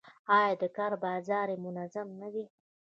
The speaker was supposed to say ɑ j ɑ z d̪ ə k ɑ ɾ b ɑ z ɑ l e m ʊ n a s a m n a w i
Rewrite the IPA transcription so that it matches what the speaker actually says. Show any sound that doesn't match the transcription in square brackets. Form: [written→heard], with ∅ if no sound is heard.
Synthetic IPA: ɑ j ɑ [z→∅] d̪ ə k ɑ ɾ b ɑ z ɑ [l→ɾ] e m ʊ n a [s→z] a m n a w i